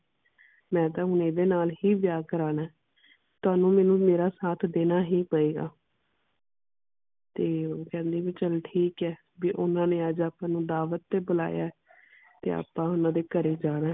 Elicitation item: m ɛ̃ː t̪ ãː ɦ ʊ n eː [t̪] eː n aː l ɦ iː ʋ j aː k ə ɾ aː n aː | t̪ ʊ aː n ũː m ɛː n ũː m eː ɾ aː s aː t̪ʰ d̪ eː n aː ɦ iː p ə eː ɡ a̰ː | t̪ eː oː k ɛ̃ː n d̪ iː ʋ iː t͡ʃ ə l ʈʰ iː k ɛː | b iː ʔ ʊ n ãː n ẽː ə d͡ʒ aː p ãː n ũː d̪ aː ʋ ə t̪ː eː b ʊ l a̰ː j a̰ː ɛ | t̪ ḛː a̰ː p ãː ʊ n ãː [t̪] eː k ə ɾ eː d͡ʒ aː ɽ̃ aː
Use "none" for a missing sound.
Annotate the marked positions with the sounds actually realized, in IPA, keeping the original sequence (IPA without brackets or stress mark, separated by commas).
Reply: d̪, d̪